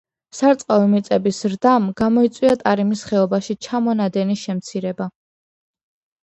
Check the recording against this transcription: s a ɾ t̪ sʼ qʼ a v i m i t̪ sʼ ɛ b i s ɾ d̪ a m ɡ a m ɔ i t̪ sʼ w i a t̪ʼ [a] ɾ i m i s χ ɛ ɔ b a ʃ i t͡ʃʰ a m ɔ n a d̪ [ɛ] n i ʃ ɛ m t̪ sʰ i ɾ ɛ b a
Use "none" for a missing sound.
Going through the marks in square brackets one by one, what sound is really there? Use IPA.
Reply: a, ɛ

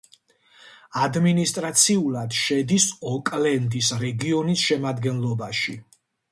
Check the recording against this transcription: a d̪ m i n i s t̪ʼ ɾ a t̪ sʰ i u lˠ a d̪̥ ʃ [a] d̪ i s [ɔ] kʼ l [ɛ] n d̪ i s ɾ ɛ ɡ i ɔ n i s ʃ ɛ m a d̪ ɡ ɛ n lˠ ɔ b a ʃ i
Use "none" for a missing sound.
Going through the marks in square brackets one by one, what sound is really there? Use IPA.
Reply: ɛ, ɔ, ɛ

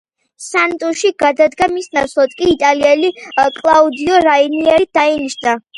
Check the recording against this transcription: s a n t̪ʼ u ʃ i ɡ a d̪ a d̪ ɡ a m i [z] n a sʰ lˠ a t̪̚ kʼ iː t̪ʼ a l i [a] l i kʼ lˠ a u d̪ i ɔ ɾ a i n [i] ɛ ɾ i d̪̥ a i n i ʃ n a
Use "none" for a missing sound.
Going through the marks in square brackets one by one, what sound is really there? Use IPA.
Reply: s, ɛ, i

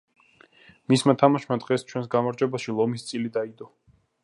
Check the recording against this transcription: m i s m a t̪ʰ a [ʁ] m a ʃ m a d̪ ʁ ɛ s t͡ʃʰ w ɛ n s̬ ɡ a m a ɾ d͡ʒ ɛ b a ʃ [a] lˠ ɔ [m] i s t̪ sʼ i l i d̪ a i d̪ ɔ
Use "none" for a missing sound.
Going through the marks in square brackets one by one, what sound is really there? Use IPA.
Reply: none, i, m

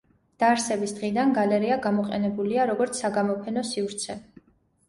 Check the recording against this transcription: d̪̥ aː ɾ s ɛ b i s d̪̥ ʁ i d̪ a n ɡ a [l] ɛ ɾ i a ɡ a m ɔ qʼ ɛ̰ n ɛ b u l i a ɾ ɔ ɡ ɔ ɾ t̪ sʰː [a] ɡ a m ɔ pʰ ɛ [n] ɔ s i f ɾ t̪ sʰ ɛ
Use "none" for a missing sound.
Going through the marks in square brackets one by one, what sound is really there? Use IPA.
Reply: l, a, n

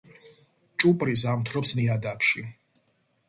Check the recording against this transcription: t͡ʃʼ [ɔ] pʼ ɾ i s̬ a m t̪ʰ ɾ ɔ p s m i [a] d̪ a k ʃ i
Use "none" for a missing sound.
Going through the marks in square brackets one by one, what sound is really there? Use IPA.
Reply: u, a

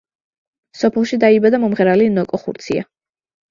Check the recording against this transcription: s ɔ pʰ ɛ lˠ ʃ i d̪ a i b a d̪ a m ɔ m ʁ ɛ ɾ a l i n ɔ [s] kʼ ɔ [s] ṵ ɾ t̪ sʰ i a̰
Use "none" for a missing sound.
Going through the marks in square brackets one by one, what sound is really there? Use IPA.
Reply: none, χ

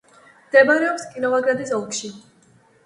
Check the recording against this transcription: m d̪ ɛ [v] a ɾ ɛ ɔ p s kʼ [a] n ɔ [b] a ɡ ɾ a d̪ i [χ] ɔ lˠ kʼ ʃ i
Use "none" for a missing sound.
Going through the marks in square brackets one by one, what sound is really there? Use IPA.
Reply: b, i, v, s

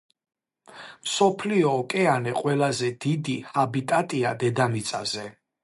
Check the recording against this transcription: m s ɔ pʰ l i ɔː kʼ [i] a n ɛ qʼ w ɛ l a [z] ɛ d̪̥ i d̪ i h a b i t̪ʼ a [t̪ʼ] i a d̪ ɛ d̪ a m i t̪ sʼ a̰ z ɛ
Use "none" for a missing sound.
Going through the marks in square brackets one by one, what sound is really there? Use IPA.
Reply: ɛ, z, t̪ʼ

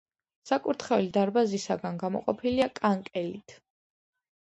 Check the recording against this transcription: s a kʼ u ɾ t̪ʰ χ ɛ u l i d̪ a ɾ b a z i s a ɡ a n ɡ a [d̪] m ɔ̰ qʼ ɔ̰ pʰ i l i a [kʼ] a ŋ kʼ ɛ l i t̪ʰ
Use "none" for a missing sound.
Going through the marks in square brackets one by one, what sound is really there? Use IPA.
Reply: none, kʼ

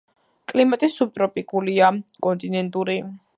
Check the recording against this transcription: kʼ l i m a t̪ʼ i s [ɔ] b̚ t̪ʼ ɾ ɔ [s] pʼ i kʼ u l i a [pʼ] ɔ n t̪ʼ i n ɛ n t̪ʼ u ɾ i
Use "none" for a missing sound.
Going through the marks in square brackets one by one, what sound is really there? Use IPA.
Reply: u, none, kʼ

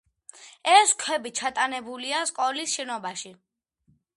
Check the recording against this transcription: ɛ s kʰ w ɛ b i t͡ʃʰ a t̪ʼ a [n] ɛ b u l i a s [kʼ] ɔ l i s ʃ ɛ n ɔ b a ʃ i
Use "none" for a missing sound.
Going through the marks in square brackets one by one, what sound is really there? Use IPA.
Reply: n, kʼ

